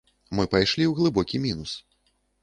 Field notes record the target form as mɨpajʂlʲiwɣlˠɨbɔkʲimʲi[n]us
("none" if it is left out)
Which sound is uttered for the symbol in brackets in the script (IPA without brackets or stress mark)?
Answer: n